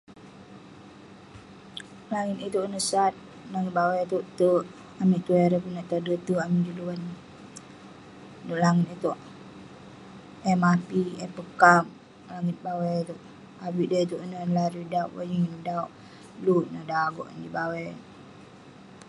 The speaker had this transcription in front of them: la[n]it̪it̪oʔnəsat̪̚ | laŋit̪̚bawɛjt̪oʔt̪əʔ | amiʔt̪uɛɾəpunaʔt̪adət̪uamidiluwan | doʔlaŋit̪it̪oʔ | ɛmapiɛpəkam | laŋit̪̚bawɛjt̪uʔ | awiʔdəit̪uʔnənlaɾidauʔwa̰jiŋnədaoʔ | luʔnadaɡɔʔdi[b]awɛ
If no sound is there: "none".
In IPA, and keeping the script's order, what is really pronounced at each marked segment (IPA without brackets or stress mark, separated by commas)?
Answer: ŋ, b